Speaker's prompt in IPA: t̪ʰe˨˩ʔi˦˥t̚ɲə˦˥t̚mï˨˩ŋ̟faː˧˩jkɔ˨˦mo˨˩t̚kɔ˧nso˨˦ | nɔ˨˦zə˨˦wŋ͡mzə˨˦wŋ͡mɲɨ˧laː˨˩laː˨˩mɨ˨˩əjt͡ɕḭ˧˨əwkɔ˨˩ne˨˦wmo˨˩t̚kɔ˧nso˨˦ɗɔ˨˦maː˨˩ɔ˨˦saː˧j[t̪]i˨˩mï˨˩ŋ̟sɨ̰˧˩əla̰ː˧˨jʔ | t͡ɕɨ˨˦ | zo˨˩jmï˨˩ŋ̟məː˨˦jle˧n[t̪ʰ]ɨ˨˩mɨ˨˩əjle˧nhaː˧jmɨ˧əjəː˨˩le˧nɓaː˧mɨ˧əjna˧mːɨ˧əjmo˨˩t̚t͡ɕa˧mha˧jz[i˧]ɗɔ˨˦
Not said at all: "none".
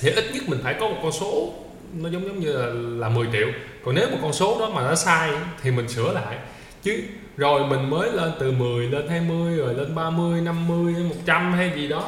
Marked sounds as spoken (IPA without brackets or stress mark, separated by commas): t̪ʰ, t̪, i˨˩